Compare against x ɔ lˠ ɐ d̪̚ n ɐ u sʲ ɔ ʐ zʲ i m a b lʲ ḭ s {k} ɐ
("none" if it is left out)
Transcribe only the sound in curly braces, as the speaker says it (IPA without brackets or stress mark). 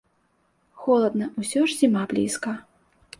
k